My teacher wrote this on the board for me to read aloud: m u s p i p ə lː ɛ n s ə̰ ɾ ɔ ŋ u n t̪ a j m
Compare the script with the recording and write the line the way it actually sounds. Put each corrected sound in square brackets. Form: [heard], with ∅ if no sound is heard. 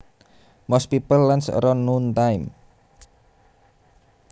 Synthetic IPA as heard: m [ɔ] s p i p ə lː [a] n s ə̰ ɾ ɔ [n] u n t̪ a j m